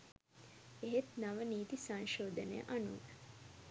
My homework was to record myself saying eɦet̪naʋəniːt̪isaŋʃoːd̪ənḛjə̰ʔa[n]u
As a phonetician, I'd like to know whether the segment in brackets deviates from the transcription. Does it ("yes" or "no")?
no